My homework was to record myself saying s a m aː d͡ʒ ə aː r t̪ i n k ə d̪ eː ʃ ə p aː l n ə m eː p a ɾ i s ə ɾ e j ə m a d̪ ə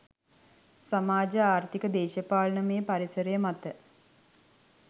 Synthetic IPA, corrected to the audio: s a m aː d͡ʒ ə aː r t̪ i k ə d̪ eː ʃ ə p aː l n ə m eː p a ɾ i s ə ɾ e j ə m a t̪ ə